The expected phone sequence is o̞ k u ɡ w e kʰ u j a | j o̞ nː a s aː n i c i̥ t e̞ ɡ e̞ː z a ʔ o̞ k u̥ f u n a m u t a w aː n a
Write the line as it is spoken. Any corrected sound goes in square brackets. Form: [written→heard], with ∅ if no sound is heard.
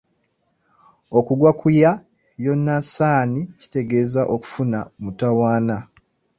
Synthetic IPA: o̞ k u ɡ w [e→a] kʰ u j a | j o̞ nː a s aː n i c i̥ t e̞ ɡ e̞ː z a ʔ o̞ k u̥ f u n a m u t a w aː n a